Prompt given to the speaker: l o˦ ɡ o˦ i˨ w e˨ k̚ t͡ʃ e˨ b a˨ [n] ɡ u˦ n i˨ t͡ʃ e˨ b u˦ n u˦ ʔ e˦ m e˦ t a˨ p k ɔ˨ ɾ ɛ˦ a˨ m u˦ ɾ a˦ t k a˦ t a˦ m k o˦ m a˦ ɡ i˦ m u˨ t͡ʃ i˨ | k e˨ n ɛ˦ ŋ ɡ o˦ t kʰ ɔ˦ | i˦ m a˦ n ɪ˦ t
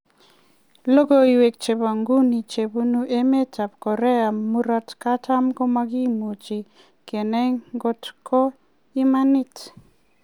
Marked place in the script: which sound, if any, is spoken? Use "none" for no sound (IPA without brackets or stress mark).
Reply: ŋ